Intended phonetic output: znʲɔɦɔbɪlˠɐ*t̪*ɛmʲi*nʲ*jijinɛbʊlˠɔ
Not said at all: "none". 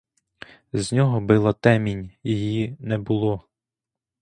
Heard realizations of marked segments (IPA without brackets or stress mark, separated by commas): t̪, nʲ